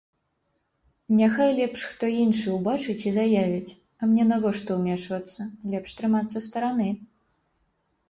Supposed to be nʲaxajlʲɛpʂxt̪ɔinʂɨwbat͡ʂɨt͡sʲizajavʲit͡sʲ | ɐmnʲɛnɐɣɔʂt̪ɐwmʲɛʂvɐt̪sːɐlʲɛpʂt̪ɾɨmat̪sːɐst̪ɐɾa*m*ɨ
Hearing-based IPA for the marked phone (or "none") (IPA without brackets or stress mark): n